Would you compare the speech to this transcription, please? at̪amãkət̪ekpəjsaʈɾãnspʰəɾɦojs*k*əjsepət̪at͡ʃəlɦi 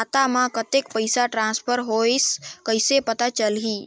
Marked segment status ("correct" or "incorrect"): correct